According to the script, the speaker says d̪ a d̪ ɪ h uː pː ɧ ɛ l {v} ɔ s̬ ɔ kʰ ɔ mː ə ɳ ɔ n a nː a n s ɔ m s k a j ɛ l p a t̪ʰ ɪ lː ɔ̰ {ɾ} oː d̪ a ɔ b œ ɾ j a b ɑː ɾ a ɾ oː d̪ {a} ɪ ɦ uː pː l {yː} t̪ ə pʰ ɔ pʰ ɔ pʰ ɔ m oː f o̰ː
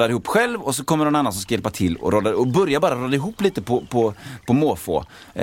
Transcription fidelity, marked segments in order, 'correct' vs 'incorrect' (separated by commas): correct, correct, correct, incorrect